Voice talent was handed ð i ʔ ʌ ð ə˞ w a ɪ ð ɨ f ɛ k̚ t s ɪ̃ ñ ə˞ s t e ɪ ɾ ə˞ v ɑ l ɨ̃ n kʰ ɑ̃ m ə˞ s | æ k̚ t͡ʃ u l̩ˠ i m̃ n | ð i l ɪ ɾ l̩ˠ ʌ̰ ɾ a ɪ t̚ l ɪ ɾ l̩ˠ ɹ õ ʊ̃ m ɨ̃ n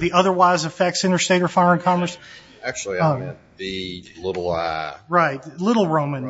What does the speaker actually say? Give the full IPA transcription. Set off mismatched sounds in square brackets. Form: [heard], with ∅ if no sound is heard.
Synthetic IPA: ð i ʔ ʌ ð ə˞ w a ɪ [z] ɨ f ɛ k̚ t s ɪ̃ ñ ə˞ s t e ɪ ɾ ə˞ [f] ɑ [ɹ] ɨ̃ n kʰ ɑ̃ m ə˞ s | æ k̚ t͡ʃ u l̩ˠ i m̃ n | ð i l ɪ ɾ l̩ˠ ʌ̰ [ɹ] a ɪ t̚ l ɪ ɾ l̩ˠ ɹ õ ʊ̃ m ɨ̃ n